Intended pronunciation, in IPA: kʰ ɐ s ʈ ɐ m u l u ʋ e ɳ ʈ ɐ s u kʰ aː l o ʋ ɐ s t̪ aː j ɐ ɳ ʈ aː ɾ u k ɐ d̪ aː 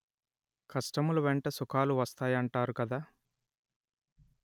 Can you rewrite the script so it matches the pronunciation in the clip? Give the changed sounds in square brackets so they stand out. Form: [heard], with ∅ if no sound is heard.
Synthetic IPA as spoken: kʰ ɐ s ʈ ɐ m u l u ʋ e ɳ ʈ ɐ s u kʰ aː l [u] ʋ ɐ s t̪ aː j ɐ ɳ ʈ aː ɾ u k ɐ d̪ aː